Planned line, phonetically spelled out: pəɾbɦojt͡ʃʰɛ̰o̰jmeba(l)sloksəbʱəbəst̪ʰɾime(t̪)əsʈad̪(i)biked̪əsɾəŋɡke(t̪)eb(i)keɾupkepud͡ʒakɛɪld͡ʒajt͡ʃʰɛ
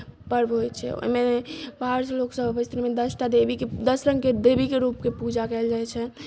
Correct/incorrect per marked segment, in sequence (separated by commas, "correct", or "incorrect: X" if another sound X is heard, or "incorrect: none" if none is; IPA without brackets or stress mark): incorrect: ɾ, incorrect: d̪, incorrect: e, incorrect: d̪, correct